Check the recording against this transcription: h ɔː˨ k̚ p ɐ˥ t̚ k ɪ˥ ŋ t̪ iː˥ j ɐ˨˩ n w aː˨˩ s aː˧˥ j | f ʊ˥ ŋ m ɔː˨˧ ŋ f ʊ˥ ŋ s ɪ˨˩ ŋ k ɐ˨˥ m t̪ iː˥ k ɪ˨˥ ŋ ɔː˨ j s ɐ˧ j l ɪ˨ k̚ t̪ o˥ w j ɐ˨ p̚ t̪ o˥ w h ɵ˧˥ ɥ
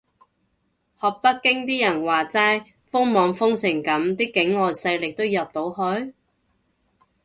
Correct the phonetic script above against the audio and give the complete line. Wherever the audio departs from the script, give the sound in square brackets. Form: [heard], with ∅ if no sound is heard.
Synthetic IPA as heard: h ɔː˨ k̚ p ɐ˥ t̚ k ɪ˥ ŋ t̪ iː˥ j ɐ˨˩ n w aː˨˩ [t͡s] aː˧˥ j | f ʊ˥ ŋ m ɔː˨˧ ŋ f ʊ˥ ŋ s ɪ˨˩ ŋ k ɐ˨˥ m t̪ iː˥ k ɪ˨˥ ŋ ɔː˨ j s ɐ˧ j l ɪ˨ k̚ t̪ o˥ w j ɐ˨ p̚ t̪ [o˨˥] w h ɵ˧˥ ɥ